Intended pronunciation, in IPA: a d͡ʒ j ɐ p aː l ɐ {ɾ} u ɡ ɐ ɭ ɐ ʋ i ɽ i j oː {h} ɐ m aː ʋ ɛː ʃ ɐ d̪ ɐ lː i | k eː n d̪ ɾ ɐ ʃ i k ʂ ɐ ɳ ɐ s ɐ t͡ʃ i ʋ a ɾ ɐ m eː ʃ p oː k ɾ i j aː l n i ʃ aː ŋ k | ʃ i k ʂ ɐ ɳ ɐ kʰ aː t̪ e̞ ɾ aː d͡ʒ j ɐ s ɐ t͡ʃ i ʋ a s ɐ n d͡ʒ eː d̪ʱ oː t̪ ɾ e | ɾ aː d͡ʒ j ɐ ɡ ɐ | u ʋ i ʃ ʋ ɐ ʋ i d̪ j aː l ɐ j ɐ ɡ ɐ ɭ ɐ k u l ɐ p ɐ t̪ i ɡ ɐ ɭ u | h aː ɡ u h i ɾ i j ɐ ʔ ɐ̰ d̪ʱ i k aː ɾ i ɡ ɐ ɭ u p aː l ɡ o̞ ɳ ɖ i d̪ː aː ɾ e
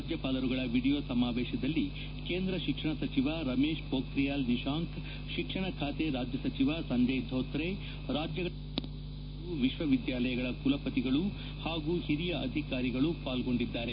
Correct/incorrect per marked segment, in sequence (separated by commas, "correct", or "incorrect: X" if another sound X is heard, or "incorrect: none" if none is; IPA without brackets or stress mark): correct, incorrect: s